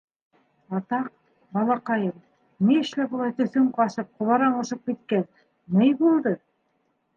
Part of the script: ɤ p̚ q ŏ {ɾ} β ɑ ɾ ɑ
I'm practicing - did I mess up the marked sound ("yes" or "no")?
yes